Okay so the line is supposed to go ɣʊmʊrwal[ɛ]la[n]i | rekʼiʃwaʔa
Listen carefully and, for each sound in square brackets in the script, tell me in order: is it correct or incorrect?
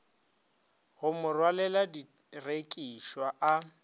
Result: correct, incorrect: d

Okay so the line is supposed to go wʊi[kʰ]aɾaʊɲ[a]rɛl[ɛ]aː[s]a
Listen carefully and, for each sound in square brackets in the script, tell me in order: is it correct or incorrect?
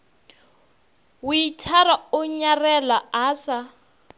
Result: incorrect: tʰ, correct, incorrect: a, correct

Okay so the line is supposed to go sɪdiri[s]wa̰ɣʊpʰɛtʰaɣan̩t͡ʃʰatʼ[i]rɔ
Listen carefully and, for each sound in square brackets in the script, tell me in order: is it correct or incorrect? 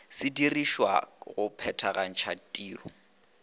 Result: incorrect: ʃ, incorrect: iː

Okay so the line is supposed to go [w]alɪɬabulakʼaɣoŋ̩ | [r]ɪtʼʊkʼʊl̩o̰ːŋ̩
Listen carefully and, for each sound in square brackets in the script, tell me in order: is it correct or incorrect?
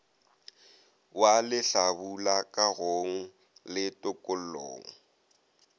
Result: correct, incorrect: l

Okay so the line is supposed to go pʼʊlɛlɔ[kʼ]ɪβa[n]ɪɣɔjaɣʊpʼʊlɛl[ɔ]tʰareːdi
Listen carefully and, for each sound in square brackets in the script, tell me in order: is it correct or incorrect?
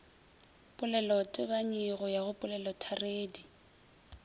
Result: incorrect: tʼ, incorrect: ɲ, correct

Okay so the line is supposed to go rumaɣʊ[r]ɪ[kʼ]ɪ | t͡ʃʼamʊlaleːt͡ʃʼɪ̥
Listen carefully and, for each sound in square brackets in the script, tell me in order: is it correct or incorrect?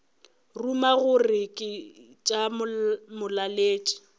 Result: correct, correct

